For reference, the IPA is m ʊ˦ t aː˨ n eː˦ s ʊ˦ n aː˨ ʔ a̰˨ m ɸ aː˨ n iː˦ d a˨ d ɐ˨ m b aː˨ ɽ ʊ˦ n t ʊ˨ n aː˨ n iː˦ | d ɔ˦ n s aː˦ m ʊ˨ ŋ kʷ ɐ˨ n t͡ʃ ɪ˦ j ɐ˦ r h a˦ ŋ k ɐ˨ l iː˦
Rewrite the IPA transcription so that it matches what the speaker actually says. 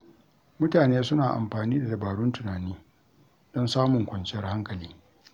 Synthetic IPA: m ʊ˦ t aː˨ n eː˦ s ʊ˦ n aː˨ ʔ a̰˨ m ɸ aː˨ n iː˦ d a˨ d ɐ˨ b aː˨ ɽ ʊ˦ n t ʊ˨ n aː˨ n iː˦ | d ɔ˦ n s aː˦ m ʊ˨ ŋ kʷ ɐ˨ n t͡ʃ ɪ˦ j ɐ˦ r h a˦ ŋ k ɐ˨ l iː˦